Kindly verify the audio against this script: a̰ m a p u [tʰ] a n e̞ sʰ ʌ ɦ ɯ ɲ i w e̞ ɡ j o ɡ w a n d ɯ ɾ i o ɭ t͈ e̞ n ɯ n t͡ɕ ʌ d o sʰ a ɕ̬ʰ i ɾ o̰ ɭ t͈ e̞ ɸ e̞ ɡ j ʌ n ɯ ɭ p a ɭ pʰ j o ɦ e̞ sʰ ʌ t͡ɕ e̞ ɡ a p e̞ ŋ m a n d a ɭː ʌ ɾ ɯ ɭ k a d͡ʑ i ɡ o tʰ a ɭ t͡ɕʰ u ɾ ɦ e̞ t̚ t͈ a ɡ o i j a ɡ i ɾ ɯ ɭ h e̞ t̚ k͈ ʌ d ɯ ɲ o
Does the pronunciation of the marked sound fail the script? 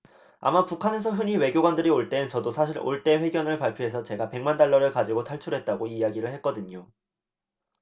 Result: yes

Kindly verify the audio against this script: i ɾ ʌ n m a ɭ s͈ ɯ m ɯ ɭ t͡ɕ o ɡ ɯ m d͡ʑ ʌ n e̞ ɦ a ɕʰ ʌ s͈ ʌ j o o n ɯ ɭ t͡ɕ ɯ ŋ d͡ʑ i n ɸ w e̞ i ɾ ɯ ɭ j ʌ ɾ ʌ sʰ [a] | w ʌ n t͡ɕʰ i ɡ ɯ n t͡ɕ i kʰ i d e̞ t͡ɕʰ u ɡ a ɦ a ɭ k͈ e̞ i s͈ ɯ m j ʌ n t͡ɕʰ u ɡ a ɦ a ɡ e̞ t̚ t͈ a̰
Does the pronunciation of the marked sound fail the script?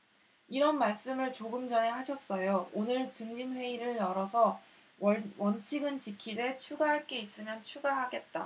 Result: yes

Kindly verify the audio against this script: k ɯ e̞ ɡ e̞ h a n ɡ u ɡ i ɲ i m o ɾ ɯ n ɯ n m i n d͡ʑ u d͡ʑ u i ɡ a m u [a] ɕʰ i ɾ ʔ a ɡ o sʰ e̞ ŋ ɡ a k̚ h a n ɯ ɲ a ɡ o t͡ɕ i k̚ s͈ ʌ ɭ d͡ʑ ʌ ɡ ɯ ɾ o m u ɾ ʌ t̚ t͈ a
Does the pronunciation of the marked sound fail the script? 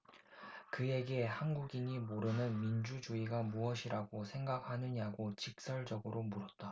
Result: yes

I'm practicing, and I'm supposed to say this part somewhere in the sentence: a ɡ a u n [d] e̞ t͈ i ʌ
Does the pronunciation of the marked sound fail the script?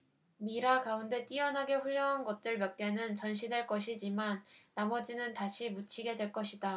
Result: no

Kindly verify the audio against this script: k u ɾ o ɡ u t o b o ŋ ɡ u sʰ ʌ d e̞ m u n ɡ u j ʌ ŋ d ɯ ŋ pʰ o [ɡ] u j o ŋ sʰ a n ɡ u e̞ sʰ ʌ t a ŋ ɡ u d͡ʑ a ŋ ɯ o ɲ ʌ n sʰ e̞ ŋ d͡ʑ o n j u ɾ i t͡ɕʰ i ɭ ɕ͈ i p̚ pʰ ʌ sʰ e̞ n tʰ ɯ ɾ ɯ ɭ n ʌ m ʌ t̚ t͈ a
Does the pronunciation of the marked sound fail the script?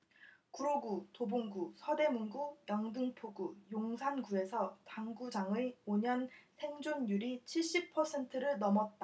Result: no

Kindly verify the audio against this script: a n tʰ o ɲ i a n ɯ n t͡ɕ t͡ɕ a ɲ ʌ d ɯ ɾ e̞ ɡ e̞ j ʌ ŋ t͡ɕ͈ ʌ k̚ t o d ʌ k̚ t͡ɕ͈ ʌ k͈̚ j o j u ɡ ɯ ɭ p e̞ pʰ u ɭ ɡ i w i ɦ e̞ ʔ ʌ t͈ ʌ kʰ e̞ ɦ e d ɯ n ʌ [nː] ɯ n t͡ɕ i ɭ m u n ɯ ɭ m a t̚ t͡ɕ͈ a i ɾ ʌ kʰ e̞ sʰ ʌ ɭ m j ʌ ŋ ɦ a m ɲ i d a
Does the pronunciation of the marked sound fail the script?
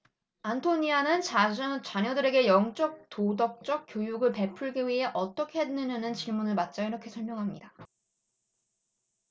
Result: yes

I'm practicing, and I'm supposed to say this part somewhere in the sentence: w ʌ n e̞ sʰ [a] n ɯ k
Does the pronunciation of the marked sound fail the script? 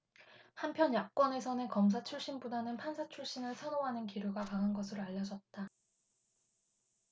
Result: yes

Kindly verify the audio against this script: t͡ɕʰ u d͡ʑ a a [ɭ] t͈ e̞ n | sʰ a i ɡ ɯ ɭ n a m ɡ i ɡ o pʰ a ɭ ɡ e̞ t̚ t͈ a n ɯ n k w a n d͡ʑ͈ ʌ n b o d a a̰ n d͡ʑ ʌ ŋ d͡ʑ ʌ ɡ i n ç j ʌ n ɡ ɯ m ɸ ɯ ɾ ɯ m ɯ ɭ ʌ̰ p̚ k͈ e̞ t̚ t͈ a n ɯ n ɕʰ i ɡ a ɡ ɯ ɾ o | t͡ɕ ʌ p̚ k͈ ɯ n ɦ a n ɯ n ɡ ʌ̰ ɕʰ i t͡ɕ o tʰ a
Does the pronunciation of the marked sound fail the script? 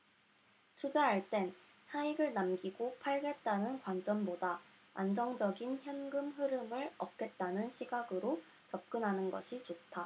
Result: no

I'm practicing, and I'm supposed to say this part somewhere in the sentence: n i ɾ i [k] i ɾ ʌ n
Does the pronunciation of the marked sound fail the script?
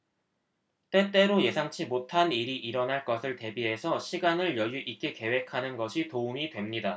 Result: yes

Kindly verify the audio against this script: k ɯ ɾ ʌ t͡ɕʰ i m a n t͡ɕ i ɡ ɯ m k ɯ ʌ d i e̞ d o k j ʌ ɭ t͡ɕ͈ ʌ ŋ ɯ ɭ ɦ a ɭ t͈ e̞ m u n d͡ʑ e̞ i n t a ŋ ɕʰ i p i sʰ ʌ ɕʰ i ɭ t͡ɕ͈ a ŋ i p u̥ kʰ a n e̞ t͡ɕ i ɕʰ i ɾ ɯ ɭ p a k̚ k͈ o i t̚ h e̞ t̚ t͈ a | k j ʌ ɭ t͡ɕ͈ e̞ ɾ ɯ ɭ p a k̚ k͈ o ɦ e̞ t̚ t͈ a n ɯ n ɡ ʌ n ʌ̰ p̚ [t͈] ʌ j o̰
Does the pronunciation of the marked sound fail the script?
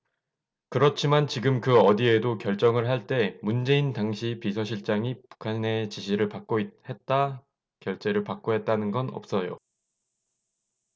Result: yes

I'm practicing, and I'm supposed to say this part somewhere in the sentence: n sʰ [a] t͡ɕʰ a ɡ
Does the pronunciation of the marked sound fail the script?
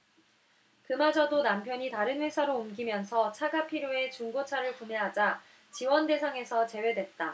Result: yes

